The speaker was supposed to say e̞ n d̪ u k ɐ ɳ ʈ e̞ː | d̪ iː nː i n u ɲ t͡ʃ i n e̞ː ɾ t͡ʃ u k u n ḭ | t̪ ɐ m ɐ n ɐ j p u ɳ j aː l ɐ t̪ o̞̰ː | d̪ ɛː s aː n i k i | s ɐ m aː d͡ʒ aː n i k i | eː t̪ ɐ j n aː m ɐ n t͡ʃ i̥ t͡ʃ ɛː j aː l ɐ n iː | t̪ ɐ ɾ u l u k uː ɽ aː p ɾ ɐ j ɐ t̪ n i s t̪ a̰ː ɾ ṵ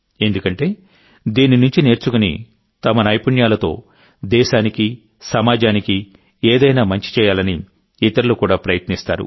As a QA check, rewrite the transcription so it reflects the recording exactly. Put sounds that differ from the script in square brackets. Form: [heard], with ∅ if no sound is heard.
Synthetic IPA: e̞ n d̪ u k ɐ ɳ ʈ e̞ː | d̪ iː [n] i n u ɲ t͡ʃ i n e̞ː ɾ t͡ʃ u k u n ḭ | t̪ ɐ m ɐ n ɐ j p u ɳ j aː l ɐ t̪ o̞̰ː | d̪ ɛː [ʃ] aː n i k i | s ɐ m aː d͡ʒ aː n i k i | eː [d̪] ɐ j n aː m ɐ [ɲ] t͡ʃ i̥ t͡ʃ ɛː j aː l ɐ n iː | t̪ ɐ ɾ u l u k uː ɽ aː p ɾ ɐ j ɐ t̪ n i s t̪ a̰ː ɾ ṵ